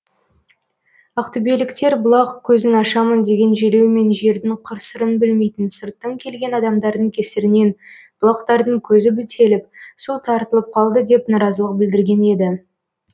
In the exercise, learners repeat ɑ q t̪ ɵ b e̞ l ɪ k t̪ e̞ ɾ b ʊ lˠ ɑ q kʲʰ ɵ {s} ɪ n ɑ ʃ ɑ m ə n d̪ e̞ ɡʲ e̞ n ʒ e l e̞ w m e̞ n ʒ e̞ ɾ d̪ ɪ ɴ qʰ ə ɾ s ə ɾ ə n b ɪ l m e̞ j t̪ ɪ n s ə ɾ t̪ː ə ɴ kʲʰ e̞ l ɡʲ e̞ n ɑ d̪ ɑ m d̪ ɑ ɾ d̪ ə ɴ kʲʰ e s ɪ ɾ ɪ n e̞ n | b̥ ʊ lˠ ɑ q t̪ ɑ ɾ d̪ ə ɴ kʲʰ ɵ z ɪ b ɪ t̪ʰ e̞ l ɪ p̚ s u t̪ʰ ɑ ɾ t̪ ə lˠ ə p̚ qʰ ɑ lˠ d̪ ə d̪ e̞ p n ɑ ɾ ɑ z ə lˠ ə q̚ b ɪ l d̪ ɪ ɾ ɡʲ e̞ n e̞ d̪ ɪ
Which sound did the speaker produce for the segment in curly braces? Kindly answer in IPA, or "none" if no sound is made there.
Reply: z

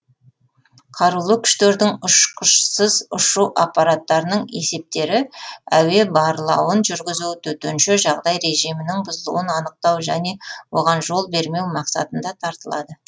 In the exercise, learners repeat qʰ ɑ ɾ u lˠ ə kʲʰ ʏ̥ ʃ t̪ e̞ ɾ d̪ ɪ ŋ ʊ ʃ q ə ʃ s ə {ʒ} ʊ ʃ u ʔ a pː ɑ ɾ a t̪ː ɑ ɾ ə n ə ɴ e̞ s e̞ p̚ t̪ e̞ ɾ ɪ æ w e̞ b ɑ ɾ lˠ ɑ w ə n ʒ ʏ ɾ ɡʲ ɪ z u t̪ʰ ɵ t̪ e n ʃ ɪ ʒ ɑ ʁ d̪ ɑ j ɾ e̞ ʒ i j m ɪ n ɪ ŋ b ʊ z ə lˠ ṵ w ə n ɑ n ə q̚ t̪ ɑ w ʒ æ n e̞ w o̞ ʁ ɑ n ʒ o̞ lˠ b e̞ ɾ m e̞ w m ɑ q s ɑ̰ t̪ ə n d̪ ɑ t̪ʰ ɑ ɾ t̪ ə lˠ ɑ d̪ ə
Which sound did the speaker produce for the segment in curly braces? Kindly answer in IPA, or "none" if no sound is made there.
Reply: z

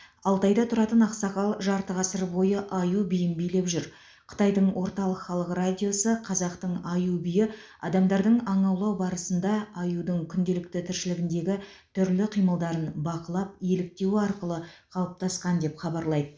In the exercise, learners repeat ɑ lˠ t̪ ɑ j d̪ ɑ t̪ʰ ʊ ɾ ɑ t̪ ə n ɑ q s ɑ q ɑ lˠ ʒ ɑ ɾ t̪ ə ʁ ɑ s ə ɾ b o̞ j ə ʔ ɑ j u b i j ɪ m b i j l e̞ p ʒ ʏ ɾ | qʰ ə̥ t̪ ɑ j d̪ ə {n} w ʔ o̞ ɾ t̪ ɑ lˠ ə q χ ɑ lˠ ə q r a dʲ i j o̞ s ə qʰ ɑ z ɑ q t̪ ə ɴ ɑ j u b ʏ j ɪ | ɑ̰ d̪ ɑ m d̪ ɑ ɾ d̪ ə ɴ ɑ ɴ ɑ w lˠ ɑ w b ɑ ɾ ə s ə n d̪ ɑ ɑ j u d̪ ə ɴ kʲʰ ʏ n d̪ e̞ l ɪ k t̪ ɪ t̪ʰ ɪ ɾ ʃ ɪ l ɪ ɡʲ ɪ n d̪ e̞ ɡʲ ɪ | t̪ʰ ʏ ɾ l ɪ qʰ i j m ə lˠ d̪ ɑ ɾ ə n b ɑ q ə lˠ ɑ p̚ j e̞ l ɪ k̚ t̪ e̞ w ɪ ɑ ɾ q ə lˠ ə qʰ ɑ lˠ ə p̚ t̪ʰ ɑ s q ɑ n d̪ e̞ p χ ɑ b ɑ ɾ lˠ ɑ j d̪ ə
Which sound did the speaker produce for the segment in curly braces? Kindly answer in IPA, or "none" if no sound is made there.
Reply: ɴ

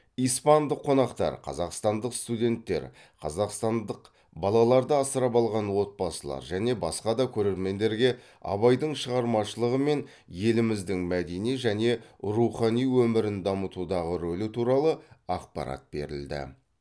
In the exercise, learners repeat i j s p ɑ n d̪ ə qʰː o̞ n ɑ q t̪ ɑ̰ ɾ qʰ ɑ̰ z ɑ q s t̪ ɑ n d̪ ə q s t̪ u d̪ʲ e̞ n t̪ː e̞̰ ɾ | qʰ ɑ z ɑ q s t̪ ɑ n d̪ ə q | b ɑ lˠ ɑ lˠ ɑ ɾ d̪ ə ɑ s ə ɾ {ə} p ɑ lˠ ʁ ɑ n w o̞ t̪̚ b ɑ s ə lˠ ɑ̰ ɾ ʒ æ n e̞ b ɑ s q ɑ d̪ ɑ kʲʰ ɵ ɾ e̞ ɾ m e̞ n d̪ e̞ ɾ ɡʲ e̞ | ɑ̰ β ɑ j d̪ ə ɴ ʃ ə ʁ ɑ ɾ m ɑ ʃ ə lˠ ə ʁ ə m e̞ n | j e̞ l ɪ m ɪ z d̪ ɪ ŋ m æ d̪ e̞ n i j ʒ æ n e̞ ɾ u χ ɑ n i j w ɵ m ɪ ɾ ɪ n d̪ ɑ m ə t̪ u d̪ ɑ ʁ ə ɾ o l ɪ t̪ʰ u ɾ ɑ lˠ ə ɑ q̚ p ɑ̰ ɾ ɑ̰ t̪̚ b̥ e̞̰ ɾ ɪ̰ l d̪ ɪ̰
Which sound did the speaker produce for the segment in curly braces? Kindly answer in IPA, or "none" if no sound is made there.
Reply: ɑ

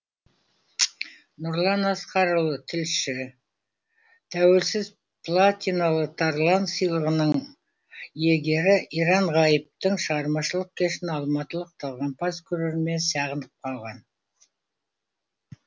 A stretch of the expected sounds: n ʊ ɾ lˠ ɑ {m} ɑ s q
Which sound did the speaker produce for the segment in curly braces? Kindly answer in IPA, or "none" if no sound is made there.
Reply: n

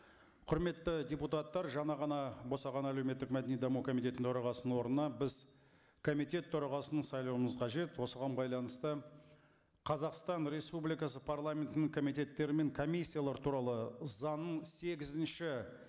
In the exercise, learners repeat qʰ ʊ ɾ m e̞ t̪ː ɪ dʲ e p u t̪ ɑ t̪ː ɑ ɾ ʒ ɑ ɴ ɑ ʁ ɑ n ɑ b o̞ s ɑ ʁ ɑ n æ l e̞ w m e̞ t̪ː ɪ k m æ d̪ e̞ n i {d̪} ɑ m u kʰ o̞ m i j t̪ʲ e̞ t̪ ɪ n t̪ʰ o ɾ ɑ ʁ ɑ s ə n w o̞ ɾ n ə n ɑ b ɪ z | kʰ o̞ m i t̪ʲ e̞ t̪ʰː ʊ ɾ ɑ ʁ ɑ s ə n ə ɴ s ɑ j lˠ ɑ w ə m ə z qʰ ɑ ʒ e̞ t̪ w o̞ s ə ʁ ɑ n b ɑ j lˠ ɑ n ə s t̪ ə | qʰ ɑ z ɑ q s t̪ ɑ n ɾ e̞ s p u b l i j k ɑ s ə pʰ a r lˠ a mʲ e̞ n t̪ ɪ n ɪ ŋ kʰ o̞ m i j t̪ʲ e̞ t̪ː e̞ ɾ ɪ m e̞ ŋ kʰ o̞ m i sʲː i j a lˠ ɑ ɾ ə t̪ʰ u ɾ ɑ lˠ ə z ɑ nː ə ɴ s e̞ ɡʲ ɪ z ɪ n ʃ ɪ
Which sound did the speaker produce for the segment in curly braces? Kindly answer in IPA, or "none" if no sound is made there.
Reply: d̪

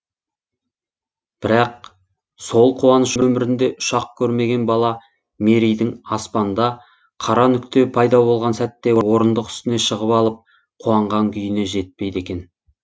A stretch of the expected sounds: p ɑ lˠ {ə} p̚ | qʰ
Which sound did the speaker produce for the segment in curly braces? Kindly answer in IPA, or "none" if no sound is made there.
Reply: ə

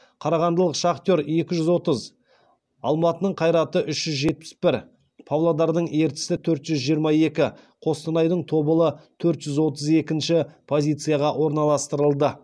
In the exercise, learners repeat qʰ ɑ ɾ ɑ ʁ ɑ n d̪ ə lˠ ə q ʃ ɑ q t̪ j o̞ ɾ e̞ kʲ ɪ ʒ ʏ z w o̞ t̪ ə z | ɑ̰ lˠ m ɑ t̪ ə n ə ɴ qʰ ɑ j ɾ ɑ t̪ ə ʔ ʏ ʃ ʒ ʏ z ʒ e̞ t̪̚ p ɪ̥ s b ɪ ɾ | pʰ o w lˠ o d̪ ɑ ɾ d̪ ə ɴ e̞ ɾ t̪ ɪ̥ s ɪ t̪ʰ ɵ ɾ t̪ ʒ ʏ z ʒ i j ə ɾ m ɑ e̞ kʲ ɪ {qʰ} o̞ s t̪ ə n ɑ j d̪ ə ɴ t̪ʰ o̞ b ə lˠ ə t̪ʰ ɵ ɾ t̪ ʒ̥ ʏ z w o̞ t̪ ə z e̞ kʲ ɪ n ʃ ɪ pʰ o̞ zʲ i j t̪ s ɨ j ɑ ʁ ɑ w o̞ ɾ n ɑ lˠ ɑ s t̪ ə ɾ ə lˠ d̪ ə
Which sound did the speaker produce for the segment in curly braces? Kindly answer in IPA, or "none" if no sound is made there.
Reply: qʰ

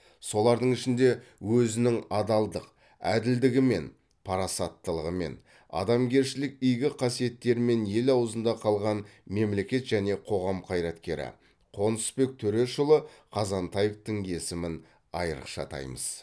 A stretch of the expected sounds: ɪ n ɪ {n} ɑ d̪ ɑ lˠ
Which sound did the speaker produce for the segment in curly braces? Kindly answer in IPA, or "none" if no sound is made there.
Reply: ŋ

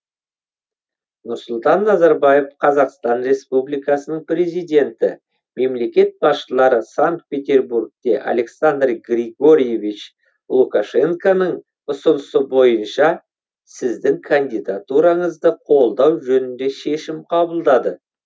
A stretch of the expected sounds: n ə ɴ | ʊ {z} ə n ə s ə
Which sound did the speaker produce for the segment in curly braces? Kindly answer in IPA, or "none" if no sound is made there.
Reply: s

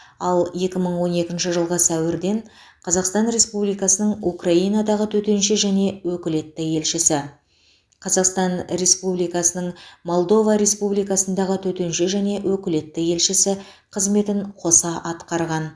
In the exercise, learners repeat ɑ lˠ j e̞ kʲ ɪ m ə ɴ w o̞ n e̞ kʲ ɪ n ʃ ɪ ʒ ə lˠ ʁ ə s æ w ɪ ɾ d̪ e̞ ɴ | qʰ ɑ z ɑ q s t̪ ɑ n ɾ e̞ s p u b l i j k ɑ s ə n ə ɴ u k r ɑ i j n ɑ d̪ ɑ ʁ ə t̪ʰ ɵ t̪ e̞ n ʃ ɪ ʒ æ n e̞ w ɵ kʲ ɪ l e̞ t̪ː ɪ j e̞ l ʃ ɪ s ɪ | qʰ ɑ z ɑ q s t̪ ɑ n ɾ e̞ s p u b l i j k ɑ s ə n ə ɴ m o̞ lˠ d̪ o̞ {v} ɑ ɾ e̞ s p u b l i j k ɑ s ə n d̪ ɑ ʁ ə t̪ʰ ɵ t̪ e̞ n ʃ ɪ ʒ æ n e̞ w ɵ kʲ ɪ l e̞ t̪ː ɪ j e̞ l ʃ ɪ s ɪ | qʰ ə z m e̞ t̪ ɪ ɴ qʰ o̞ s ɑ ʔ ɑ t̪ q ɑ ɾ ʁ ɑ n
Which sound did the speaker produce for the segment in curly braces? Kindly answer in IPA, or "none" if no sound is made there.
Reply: v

